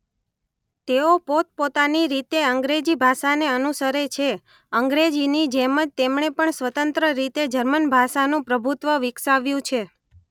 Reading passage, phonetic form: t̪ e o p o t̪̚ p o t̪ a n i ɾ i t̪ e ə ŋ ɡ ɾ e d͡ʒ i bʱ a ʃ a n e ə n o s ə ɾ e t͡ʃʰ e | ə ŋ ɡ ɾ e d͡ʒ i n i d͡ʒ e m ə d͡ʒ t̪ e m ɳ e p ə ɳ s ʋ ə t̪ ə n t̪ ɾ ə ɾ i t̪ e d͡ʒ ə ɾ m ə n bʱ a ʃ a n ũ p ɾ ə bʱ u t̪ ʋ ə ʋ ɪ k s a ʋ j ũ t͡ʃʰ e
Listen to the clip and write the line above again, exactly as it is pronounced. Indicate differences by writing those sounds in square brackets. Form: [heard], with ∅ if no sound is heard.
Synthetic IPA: t̪ e o p o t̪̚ p o t̪ a n i ɾ i t̪ e ə ŋ ɡ ɾ e d͡ʒ i bʱ a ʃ a n e ə n [u] s ə ɾ e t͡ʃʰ e | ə ŋ ɡ ɾ e d͡ʒ i n i d͡ʒ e m ə d͡ʒ t̪ e m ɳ e p ə ɳ s ʋ ə t̪ ə n t̪ ɾ ə ɾ i t̪ e d͡ʒ ə ɾ m ə n bʱ a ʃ a n ũ p ɾ ə bʱ u t̪ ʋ ə ʋ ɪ k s a ʋ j ũ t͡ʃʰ e